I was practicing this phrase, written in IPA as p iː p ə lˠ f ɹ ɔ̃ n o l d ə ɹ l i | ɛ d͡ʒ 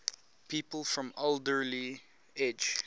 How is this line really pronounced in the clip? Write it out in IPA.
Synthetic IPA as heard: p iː p ə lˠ f ɹ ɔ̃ m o l d ə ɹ l i | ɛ d͡ʒ